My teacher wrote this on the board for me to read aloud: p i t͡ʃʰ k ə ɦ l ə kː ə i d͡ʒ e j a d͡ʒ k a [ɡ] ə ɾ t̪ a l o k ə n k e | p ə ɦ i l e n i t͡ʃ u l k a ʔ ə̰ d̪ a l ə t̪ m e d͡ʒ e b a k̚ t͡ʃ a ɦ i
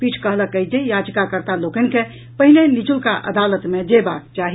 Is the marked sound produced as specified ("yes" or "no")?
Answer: no